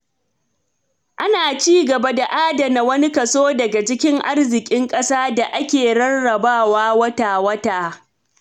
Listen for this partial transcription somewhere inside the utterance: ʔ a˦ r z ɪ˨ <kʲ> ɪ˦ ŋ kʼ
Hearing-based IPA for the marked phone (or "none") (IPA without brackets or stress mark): kʲʼ